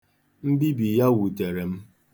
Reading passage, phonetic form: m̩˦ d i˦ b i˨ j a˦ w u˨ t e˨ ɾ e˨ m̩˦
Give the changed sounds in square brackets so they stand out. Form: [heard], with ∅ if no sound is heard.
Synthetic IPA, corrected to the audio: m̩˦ [b] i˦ b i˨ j a˦ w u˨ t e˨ ɾ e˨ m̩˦